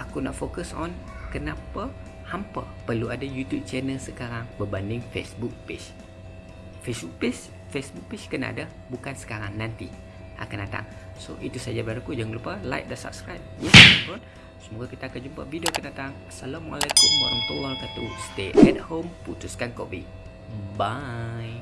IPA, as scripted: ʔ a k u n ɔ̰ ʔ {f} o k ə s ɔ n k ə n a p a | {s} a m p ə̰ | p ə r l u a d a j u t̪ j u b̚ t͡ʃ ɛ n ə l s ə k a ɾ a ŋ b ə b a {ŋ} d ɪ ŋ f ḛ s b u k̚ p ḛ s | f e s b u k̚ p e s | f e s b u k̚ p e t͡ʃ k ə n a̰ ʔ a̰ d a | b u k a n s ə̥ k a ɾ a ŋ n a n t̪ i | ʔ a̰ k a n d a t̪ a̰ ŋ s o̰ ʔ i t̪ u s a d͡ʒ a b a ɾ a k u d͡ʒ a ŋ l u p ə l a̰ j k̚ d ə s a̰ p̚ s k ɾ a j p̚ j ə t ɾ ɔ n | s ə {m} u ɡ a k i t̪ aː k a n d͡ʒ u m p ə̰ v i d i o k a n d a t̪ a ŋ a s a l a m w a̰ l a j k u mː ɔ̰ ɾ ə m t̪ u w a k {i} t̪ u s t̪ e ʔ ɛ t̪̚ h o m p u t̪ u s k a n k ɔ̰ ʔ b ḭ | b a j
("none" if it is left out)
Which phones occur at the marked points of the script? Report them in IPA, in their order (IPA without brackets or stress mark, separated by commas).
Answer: f, h, n, m, a